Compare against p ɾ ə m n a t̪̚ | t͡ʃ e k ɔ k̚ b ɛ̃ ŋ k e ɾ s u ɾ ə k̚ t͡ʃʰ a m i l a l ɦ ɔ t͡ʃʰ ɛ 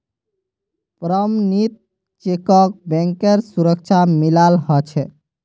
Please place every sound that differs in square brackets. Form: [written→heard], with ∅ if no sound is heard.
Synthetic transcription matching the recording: p ɾ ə m n [a→i] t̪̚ | t͡ʃ e k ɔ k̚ b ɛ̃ ŋ k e ɾ s u ɾ ə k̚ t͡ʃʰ a m i l a l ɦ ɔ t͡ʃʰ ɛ